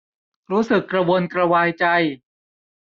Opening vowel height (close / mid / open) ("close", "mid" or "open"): close